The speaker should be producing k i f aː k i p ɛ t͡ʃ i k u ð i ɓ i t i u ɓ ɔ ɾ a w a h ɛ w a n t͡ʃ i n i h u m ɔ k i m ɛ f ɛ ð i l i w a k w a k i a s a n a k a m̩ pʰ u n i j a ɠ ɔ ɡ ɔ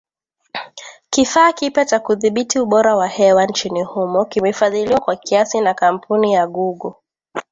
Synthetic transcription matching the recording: k i f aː k i p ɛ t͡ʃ a k u ð i ɓ i t i u ɓ ɔ ɾ a w a h ɛ w a n t͡ʃ i n i h u m ɔ k i m ɛ f a ð i l i w a k w a k i a s i n a k a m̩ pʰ u n i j a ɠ u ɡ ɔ

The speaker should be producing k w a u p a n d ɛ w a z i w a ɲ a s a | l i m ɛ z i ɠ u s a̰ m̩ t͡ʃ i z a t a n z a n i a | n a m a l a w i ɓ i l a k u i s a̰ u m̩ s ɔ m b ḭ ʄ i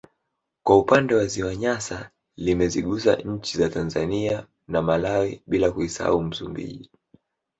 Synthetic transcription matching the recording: k w a u p a n d ɛ w a z i w a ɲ a s a | l i m ɛ z i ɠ u s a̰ ɲ̩ t͡ʃ i z a t a n z a n i a | n a m a l a w i ɓ i l a k u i s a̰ u m̩ s u m b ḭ ʄ i

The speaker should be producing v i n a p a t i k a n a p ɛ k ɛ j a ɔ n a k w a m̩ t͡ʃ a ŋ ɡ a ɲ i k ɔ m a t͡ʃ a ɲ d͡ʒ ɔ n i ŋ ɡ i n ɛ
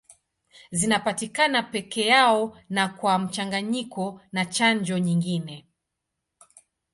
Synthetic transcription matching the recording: z i n a p a t i k a n a p ɛ k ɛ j a ɔ n a k w a m̩ t͡ʃ a ŋ ɡ a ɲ i k ɔ n a t͡ʃ a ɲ d͡ʒ ɔ ɲ i ŋ ɡ i n ɛ

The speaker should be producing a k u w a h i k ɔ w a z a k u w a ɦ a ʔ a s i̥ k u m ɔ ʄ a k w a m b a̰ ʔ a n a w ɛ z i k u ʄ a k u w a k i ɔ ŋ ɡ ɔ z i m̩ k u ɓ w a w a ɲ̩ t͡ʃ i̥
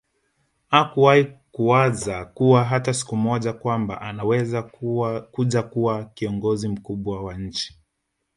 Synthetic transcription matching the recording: a k u w a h i k u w a z a k u w a ɦ a t a s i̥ k u m ɔ ʄ a k w a m b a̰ ʔ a n a w ɛ z a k u ʄ a k u w a k i ɔ ŋ ɡ ɔ z i m̩ k u ɓ w a w a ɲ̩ t͡ʃ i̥

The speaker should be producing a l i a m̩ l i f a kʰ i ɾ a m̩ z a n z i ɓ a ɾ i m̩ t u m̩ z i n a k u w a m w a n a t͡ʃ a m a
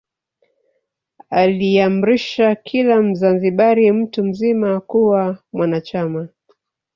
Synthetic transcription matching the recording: a l i a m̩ ɾ i ʃ a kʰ i l a m̩ z a n z i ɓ a ɾ i m̩ t u m̩ z i m a k u w a m w a n a t͡ʃ a m a

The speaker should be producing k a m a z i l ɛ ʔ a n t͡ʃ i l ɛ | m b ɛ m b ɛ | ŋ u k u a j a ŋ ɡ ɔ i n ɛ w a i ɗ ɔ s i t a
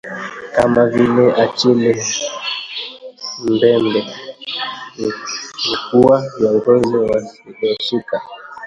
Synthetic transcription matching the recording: k a m a v i l ɛ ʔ a t͡ʃ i l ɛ | m b ɛ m b ɛ | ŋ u k u a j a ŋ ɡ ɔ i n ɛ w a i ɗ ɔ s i k a

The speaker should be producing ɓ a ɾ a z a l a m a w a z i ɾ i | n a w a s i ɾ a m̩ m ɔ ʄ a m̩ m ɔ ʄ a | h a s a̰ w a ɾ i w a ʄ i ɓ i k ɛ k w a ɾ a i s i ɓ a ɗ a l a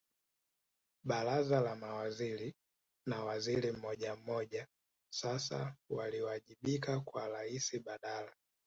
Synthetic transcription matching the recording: ɓ a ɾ a z a l a m a w a z i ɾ i | n a w a z i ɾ i m̩ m ɔ ʄ a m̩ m ɔ ʄ a | s a s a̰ w a l i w a ʄ i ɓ i k a k w a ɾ a i s i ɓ a ɗ a l a

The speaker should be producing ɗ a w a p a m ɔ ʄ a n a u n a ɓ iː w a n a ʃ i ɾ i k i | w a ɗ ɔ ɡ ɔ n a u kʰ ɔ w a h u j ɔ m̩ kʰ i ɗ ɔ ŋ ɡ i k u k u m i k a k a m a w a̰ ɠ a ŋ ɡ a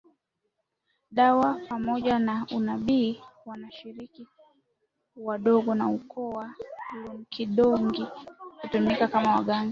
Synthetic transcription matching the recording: ɗ a w a p a m ɔ ʄ a n a u n a ɓ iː w a n a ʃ i ɾ i k i | w a ɗ ɔ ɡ ɔ n a u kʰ ɔ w a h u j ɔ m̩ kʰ i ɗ ɔ ŋ ɡ i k u t u m i k a k a m a w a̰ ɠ a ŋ ɡ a

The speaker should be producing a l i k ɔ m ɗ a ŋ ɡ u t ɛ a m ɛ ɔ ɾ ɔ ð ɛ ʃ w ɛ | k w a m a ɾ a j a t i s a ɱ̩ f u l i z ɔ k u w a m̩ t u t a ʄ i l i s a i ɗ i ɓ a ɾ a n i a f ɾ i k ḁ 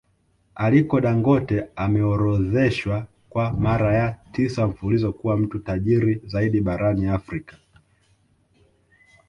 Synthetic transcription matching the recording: a l i k ɔ ɗ a ŋ ɡ ɔ t ɛ a m ɛ ɔ ɾ ɔ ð ɛ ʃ w a | k w a m a ɾ a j a t i s a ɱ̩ f u l i z ɔ k u w a m̩ t u t a ʄ i ɾ i z a i ɗ i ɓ a ɾ a n i a f ɾ i k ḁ

